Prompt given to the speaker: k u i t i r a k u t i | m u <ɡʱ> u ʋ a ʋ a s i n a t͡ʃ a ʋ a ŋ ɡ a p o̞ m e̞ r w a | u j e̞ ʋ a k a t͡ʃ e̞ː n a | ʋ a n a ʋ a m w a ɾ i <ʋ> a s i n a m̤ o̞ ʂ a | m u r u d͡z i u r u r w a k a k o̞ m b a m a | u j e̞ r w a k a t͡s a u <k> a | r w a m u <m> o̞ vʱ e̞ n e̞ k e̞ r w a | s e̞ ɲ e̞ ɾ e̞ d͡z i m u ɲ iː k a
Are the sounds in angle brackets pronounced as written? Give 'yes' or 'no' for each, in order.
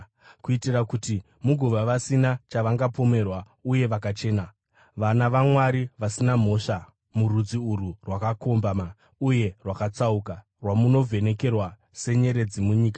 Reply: yes, yes, yes, no

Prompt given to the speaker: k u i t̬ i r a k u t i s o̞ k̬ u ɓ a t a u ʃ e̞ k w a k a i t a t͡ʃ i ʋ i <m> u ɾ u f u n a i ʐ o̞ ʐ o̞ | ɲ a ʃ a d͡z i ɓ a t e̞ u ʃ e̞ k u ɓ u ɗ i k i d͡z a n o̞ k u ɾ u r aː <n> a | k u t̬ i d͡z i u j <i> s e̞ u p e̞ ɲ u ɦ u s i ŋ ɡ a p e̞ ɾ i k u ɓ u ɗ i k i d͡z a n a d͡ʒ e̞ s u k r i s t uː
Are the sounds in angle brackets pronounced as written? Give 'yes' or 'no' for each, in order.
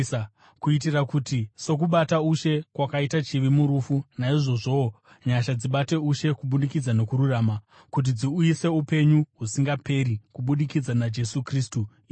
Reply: yes, no, yes

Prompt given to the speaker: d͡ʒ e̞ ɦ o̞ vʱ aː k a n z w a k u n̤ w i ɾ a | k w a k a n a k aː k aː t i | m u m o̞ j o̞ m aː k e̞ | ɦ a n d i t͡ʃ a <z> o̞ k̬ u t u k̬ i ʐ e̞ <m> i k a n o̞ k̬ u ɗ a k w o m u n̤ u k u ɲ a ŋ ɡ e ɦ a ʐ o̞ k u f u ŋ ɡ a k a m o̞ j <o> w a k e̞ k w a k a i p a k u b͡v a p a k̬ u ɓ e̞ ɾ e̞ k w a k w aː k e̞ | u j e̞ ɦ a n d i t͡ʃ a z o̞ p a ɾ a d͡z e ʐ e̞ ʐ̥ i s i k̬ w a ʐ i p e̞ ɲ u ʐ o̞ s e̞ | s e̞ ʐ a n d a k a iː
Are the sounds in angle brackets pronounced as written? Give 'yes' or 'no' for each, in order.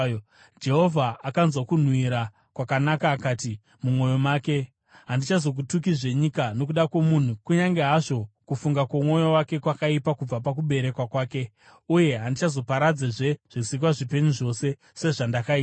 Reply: yes, no, yes

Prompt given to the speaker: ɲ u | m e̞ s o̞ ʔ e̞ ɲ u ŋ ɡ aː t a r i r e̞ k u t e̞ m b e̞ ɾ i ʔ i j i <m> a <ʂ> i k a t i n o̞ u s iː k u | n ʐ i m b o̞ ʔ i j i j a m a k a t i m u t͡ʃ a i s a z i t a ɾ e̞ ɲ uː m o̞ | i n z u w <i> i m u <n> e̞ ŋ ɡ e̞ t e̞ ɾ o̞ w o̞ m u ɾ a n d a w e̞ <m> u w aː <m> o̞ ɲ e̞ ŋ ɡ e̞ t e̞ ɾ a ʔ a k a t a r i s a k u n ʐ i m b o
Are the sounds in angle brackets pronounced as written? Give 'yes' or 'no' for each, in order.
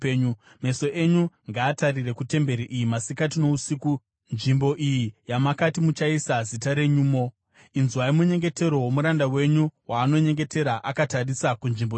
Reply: yes, no, no, no, no, no

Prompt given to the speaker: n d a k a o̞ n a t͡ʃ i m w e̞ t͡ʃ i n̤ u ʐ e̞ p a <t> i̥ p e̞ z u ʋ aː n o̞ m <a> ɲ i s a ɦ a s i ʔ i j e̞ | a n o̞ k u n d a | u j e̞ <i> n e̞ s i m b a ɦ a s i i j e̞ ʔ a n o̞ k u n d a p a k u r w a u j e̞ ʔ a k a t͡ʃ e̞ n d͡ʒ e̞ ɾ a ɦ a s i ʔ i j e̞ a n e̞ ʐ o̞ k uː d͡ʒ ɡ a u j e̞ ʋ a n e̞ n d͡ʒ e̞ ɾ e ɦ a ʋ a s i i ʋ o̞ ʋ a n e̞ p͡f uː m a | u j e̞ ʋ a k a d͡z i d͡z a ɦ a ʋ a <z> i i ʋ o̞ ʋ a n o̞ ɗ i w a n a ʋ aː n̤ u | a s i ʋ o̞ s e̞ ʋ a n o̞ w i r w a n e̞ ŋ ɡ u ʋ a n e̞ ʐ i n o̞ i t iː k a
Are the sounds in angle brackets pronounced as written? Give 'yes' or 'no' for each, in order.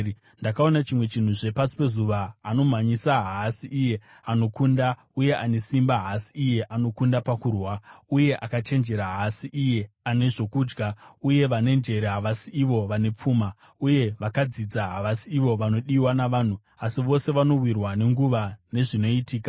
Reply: no, yes, no, no

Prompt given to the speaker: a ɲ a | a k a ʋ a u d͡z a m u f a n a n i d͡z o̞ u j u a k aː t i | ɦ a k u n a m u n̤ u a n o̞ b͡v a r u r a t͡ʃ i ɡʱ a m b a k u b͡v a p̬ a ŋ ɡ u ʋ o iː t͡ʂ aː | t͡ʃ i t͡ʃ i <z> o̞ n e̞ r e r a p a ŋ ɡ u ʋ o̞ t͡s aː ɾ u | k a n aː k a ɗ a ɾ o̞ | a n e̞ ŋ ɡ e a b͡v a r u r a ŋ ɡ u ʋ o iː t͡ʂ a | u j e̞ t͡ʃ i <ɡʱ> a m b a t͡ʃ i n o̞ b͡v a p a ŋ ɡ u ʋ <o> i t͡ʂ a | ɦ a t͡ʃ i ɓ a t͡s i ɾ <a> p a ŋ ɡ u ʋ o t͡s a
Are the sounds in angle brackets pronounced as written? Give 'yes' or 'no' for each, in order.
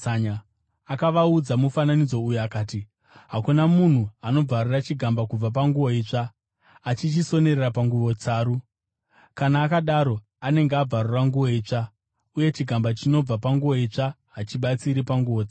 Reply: no, yes, yes, no

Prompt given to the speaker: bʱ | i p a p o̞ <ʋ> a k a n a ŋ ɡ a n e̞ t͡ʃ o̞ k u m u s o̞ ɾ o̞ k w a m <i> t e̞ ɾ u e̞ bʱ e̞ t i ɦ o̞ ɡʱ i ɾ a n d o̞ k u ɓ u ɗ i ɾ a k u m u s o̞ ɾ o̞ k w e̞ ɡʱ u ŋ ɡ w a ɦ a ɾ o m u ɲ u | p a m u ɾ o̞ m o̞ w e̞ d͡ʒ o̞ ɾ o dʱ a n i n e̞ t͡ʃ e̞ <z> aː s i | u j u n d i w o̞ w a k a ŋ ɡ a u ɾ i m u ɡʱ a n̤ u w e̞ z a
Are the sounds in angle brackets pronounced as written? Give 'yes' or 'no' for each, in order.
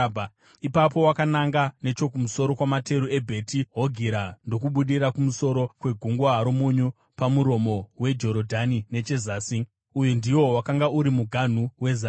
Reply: no, no, yes

